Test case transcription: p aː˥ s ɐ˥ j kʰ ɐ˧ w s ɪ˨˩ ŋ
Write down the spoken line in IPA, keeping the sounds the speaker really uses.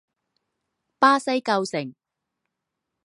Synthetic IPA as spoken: p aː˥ s ɐ˥ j k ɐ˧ w s ɪ˨˩ ŋ